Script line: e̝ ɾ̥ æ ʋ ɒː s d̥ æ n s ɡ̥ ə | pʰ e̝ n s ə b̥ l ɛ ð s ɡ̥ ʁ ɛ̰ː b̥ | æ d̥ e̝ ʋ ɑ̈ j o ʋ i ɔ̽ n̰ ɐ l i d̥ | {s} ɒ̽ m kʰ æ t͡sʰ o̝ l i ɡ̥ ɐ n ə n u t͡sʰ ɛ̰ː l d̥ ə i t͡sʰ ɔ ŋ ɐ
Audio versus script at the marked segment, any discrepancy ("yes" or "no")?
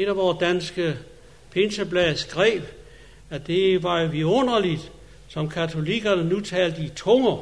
no